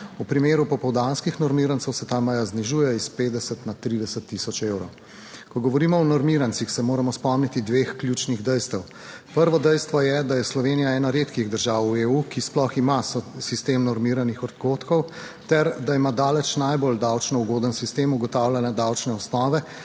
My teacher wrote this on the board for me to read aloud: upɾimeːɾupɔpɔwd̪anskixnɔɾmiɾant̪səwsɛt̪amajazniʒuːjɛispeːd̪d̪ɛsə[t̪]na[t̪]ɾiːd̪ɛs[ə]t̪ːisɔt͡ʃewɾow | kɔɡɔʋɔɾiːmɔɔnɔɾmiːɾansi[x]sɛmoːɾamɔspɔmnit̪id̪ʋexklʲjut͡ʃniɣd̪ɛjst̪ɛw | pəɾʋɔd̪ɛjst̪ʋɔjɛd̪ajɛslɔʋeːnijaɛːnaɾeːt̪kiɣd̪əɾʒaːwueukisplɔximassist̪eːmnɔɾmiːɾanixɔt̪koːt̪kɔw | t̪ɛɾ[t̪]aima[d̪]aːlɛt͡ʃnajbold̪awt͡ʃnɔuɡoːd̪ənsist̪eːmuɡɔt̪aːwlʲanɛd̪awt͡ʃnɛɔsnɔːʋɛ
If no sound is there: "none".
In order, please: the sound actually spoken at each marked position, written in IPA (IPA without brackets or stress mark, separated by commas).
t̪, t̪, ə, x, d̪, d̪